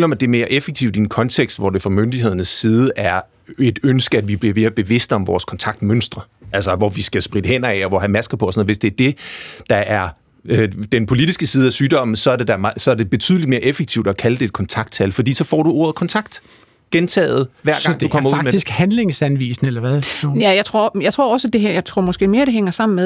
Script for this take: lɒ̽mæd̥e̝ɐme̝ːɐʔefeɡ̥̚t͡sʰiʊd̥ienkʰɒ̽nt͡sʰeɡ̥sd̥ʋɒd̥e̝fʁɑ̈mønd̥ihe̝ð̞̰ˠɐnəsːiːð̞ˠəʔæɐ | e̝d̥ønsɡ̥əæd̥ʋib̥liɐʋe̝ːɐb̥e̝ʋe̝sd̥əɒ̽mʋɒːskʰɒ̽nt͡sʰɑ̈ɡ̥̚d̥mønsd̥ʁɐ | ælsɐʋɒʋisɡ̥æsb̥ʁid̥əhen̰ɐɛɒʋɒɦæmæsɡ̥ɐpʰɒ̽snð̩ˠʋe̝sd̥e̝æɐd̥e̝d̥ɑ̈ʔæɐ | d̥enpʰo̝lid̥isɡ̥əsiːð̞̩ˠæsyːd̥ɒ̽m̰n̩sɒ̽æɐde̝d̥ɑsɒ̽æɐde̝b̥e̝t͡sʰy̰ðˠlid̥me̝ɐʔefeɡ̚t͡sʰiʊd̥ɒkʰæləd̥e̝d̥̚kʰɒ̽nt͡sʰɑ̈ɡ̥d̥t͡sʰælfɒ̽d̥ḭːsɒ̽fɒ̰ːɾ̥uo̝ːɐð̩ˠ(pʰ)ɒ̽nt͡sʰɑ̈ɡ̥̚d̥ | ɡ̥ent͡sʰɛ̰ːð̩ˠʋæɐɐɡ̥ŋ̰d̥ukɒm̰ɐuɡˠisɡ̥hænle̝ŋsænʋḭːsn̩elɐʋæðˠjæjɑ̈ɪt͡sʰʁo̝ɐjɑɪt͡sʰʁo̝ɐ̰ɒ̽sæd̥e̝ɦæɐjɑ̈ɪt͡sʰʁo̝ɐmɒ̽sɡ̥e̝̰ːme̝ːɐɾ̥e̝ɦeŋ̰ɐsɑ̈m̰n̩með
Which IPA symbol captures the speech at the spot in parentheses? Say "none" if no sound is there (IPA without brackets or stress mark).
kʰ